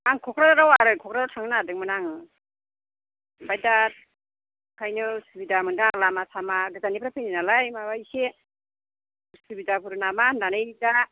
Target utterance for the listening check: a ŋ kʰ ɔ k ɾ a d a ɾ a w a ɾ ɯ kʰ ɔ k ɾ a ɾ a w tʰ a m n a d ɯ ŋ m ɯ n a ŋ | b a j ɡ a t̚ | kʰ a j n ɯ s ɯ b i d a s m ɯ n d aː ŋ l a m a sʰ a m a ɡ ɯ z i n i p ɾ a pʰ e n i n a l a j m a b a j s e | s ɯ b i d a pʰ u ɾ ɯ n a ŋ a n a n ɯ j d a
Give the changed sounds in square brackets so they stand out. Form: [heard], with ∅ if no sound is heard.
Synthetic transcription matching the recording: a ŋ kʰ ɔ k ɾ a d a ɾ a w a ɾ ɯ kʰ ɔ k ɾ a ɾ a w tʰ a [ŋ] n a d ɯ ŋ m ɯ n a ŋ | b a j [d] a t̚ | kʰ a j n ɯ s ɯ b i d a [∅] m ɯ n d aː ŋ l a m a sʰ a m a ɡ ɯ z [a] n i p ɾ a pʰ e n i n a l a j m a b a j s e | s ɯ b i d a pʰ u ɾ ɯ n a [m] a n a n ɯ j d a